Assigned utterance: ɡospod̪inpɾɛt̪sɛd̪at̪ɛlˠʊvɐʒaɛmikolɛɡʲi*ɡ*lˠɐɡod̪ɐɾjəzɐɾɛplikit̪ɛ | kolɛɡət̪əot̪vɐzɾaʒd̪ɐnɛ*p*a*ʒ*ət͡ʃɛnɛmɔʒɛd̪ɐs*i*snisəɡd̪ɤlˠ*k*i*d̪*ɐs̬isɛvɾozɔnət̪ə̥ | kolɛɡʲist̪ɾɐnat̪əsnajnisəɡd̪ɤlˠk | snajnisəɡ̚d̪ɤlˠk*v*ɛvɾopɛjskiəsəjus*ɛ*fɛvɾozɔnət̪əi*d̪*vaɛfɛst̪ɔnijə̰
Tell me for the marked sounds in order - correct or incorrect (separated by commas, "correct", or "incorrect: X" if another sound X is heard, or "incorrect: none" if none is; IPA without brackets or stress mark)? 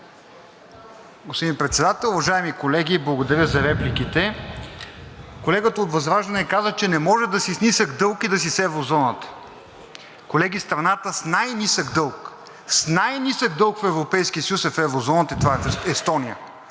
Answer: incorrect: b, incorrect: k, incorrect: z, correct, correct, correct, incorrect: f, correct, incorrect: t̪